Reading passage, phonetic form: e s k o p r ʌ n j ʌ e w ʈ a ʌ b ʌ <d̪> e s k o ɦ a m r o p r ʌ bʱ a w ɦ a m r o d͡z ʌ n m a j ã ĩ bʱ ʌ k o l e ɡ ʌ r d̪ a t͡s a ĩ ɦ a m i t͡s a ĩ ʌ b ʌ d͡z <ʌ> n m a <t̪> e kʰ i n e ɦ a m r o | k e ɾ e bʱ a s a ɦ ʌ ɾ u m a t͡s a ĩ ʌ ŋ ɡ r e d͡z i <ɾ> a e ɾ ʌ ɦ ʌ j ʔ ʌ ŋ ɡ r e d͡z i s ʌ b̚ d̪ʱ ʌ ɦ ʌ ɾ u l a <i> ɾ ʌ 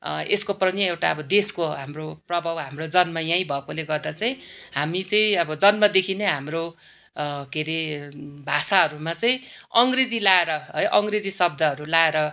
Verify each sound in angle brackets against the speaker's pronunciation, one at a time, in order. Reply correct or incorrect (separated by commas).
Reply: correct, correct, incorrect, incorrect, incorrect